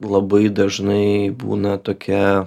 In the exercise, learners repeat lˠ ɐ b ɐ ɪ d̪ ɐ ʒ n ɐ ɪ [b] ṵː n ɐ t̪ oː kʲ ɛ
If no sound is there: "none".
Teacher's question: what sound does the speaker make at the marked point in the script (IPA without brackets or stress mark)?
b